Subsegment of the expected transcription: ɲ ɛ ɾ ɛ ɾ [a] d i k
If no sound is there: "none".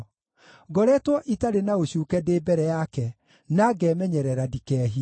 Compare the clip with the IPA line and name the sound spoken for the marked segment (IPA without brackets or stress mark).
a